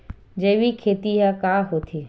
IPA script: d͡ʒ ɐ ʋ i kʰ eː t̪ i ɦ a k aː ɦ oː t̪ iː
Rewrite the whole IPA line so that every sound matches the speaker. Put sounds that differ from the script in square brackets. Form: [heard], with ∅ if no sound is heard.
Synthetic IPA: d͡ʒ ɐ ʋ i kʰ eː t̪ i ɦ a k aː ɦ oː [t̪ʰ] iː